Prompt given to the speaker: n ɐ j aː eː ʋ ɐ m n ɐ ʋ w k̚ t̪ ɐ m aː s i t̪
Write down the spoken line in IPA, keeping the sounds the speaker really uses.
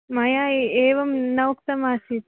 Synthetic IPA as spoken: m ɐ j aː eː ʋ ɐ m n ɐ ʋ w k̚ t̪ ɐ m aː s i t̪